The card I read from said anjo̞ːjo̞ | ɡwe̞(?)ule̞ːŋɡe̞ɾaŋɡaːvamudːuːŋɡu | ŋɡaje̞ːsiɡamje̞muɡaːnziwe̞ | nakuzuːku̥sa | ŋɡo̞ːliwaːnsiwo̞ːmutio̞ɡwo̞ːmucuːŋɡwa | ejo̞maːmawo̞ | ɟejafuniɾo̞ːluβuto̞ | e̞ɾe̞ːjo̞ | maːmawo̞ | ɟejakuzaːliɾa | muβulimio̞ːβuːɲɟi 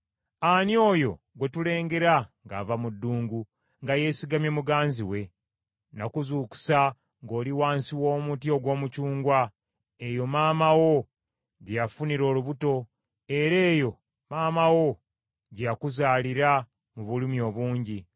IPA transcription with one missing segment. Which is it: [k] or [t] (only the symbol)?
t